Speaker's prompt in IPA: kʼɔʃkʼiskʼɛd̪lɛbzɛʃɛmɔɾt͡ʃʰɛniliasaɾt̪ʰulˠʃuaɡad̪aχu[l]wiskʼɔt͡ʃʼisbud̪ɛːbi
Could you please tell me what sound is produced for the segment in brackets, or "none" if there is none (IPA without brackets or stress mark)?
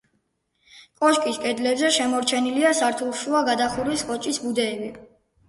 ɾ